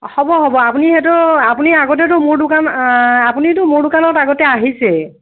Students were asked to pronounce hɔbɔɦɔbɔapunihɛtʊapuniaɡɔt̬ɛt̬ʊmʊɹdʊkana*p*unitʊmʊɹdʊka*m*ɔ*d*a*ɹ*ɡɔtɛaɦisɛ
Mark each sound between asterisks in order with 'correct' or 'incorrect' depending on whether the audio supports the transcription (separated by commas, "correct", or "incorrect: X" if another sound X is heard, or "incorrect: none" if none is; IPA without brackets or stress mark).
correct, incorrect: n, incorrect: t, incorrect: none